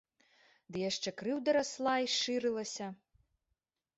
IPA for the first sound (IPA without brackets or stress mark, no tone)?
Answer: d̪